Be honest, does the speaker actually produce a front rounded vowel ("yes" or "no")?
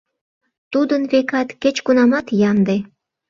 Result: no